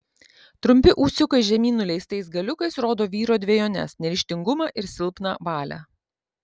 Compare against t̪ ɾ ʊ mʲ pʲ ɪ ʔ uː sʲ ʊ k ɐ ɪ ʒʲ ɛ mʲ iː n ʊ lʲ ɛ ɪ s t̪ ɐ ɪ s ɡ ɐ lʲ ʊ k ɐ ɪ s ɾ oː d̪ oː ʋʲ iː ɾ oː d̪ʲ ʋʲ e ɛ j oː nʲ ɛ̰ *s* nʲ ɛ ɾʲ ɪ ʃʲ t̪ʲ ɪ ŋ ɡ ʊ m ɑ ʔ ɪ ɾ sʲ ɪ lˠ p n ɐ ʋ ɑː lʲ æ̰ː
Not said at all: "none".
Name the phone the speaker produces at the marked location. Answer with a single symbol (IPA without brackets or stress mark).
s